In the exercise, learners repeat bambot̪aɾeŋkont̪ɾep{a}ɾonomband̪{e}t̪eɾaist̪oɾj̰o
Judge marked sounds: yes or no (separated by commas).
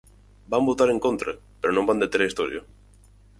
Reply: no, yes